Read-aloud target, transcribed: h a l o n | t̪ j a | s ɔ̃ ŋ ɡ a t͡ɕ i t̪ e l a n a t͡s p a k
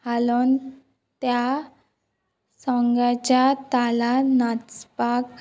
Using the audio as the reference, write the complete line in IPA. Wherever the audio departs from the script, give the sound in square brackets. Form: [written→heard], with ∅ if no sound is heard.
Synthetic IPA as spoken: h a l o n | t̪ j a | s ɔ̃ ŋ ɡ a t͡ɕ [i→a] t̪ [e→a] l a n a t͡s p a k